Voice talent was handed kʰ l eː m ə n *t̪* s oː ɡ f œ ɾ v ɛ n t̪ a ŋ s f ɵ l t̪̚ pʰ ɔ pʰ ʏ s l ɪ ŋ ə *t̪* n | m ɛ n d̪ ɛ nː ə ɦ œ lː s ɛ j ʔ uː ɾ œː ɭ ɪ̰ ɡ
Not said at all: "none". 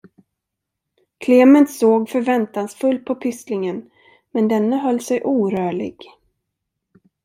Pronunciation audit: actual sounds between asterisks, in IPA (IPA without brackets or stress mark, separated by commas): t̪, none